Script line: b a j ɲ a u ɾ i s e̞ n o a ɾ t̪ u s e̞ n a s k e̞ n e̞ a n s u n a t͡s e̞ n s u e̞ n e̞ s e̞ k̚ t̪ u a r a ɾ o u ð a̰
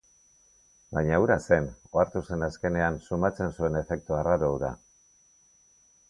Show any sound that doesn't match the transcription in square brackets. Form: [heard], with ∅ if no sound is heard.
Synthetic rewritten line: b a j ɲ a u ɾ [a] s e̞ n o a ɾ t̪ u s e̞ n a s k e̞ n e̞ a n s u [m] a t͡s e̞ n s u e̞ n e̞ [f] e̞ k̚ t̪ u a r a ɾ o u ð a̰